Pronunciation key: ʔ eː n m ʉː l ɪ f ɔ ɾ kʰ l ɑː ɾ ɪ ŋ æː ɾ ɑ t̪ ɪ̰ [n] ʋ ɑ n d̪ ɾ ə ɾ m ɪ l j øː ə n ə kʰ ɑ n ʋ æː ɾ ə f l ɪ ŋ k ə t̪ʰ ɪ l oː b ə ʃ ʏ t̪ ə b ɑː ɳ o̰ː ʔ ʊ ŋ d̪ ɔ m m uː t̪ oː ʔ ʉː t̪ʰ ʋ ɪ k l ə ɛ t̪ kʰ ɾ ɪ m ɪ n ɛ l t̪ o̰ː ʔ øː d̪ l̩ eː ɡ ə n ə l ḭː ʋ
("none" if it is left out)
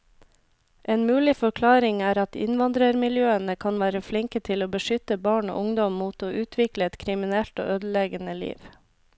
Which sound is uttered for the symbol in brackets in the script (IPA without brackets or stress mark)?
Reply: n